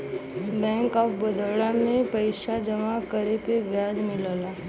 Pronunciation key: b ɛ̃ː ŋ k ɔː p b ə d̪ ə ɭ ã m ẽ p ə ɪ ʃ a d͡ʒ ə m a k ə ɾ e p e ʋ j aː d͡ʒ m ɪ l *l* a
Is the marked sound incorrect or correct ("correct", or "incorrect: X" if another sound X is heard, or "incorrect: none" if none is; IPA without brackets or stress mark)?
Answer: correct